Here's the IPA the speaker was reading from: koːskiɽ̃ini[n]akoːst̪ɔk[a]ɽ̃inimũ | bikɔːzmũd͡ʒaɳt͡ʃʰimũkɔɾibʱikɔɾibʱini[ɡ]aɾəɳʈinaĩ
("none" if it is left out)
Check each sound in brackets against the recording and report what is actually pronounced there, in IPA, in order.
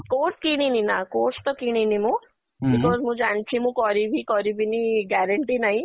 n, i, ɡ

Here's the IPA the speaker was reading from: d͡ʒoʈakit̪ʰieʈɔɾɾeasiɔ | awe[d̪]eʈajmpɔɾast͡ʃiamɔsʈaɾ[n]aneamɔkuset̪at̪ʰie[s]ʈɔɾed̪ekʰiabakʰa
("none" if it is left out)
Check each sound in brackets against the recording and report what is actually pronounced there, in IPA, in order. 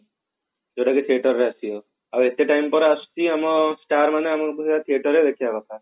t̪, m, none

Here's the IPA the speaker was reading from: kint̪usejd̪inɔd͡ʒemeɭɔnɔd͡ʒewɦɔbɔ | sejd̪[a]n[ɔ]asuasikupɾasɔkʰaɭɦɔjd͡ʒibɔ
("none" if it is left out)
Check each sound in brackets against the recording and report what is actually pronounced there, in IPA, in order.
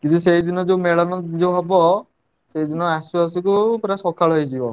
i, ɔ

